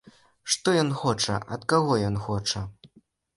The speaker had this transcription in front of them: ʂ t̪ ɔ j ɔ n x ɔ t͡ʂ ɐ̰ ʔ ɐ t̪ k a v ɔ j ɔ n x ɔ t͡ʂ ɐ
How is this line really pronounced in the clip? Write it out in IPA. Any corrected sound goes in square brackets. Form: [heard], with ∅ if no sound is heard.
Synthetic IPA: ʂ t̪ ɔ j ɔ n x ɔ t͡ʂ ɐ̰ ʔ ɐ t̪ k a [ɣ] ɔ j ɔ n x ɔ t͡ʂ ɐ